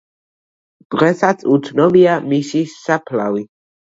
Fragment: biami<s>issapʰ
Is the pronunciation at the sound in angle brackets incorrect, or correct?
correct